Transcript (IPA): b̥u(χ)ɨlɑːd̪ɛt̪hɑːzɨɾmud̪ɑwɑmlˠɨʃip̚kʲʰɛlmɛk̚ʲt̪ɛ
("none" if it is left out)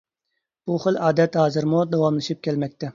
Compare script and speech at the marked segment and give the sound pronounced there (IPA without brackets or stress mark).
χ